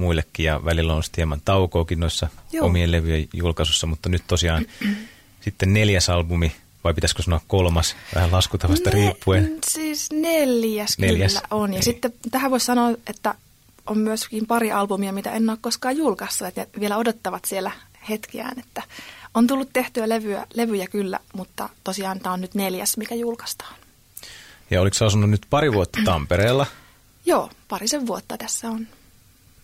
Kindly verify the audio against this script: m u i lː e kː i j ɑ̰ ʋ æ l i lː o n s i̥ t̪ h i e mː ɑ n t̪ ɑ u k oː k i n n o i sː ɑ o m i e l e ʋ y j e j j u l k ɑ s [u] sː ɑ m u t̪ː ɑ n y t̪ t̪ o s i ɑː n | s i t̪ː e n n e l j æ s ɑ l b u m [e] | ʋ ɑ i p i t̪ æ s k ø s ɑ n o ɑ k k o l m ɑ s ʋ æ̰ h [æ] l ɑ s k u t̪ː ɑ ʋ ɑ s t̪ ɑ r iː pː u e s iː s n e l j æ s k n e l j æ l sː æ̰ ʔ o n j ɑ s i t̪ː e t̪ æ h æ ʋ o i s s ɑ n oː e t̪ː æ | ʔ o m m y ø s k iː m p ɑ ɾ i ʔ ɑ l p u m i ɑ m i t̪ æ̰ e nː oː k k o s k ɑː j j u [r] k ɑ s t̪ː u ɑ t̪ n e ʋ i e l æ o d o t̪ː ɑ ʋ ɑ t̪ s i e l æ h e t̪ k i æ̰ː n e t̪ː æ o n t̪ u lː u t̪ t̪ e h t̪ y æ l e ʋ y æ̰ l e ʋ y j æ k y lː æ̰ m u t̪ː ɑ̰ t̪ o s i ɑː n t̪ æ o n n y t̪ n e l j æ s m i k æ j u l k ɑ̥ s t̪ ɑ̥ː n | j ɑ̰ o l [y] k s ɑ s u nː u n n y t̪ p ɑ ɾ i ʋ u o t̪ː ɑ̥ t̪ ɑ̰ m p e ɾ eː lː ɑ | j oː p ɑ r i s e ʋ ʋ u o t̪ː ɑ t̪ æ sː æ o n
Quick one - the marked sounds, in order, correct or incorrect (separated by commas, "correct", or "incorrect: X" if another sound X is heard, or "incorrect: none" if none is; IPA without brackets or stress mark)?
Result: correct, incorrect: i, correct, incorrect: l, incorrect: i